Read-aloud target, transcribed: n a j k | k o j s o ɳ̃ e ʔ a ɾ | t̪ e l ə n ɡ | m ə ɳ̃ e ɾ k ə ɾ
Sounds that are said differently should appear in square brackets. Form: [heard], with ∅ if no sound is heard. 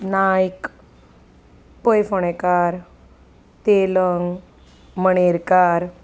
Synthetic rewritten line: n a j k | [p] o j [f] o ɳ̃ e [k] a ɾ | t̪ e l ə [ŋ] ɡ | m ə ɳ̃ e ɾ k [a] ɾ